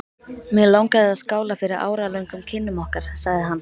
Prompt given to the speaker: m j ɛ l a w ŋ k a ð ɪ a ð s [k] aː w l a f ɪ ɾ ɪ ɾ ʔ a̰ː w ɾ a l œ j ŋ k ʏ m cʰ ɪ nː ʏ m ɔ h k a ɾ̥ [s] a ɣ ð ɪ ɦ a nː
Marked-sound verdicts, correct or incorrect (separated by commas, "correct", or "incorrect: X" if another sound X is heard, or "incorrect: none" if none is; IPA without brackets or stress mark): correct, correct